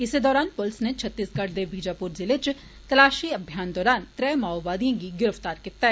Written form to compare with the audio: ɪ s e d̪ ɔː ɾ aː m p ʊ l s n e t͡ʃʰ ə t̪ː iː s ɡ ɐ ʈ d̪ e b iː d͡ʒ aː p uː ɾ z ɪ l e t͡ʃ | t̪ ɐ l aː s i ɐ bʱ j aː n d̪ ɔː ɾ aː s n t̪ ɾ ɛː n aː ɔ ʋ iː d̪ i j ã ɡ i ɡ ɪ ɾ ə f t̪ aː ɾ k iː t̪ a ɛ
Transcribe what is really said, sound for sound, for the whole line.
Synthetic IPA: ɪ s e d̪ ɔː ɾ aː n p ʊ l s n e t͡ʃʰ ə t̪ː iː s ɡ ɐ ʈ d̪ e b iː d͡ʒ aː p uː ɾ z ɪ l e t͡ʃ | t̪ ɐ l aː ʃ i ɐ bʱ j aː n d̪ ɔː ɾ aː n t̪ ɾ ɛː m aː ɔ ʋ aː d̪ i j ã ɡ i ɡ ɪ ɾ ə f t̪ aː ɾ k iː t̪ a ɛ

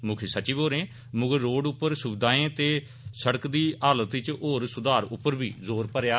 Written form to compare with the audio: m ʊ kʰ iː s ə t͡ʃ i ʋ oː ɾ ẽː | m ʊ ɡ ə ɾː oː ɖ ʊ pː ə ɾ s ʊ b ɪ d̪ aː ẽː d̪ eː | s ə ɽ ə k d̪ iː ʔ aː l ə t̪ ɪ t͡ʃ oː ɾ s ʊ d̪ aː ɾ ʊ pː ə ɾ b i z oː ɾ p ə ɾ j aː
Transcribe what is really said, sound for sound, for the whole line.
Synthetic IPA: m ʊ kʰ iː s ə t͡ʃ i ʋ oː ɾ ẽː | m ʊ ɡ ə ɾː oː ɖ ʊ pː ə ɾ s ʊ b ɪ d̪ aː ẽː t̪ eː | s ə ɽ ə k d̪ iː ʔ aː l ə t̪ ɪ t͡ʃ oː ɾ s ʊ d̪ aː ɾ ʊ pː ə ɾ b iː z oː ɾ p ə ɾ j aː

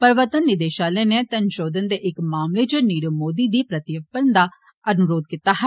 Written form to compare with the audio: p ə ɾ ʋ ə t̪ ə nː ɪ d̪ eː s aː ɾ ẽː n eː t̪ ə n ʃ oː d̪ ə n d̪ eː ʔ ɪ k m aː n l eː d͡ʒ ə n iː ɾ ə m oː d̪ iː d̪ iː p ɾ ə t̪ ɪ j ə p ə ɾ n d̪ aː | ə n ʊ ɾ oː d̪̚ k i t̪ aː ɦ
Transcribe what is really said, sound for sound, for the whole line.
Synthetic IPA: p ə ɾ ʋ ə t̪ ə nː ɪ d̪ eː ʃ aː l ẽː n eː t̪ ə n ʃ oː d̪ ə n d̪ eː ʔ ɪ k m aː m l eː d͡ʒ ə n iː ɾ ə m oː d̪ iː d̪ iː p ɾ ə t̪ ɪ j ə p ə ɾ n d̪ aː | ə n ʊ ɾ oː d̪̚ k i t̪ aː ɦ

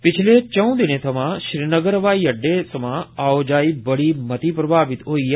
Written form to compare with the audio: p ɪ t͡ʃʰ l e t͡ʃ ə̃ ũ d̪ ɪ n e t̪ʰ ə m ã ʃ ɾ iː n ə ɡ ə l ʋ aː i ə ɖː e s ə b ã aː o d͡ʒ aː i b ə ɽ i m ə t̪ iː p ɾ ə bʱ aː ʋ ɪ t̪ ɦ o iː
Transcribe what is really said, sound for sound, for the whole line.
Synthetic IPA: p ɪ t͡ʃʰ l e t͡ʃ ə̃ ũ d̪ ɪ n e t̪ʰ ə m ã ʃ ɾ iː n ə ɡ ə ɾ ʋ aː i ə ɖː e s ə m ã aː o d͡ʒ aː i b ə ɽ i m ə t̪ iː p ɾ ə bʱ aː ʋ ɪ t̪ ɦ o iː

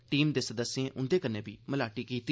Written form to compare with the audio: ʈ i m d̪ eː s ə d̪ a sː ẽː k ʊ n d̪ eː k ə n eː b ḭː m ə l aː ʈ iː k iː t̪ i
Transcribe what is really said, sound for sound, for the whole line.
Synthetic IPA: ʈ iː m d̪ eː s ə d̪ ə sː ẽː ʔ ʊ n d̪ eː k ə n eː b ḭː m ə l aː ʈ iː k iː t̪ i

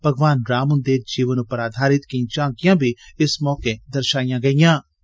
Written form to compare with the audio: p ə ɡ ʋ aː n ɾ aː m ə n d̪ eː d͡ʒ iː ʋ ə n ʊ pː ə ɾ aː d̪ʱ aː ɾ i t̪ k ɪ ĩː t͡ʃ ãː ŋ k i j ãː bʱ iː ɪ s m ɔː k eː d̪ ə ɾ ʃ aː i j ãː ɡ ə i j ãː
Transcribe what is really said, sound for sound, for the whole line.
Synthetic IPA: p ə ɡ ʋ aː n ɾ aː m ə n d̪ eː d͡ʒ iː ʋ ə n ʊ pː ə ɾ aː d̪ʱ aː ɾ ɪ t̪ k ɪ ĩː t͡ʃ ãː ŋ k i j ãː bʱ iː ɪ s m ɔː k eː d̪ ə ɾ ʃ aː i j ãː ɡ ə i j ãː

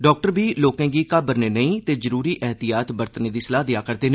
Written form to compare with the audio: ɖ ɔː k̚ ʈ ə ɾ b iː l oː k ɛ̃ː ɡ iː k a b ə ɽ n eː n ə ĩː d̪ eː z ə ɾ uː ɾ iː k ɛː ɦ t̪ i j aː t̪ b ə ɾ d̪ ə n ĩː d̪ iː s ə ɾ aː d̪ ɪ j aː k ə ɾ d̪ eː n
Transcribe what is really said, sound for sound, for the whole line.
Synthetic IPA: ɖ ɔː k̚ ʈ ə ɾ b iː l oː k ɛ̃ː ɡ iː k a b ə ɾ n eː n ə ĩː t̪ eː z ə ɾ uː ɾ iː ʔ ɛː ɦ t̪ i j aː t̪ b ə ɾ t̪ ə n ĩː d̪ iː s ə l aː d̪ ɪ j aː k ə ɾ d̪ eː n

